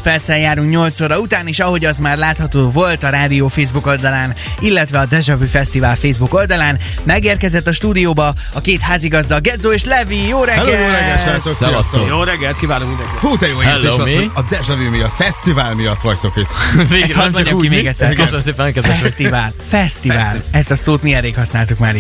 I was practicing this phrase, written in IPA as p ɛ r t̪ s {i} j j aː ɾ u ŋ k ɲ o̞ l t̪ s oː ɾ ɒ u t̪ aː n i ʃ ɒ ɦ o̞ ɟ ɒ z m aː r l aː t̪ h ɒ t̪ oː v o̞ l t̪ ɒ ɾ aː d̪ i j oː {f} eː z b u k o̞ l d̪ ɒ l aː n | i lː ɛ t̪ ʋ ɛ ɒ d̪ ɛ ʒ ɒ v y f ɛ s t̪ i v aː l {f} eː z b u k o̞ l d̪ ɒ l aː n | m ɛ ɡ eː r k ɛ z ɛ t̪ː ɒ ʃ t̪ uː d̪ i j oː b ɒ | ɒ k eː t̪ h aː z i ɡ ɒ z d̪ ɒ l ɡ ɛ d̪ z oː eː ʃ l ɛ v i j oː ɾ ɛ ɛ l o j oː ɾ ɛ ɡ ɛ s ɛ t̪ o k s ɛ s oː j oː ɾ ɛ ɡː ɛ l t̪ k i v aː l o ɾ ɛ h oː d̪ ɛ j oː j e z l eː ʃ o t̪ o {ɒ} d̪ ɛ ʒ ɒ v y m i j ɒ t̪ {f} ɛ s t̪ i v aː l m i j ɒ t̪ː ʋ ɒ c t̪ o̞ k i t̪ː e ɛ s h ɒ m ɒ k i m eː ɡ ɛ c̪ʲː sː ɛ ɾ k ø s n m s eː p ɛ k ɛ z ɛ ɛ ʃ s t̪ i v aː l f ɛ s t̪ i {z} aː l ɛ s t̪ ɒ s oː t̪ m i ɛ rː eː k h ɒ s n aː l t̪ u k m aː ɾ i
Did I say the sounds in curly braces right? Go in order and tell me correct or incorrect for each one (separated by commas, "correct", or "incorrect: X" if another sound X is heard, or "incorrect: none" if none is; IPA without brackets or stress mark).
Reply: incorrect: ɛ, correct, correct, correct, correct, incorrect: v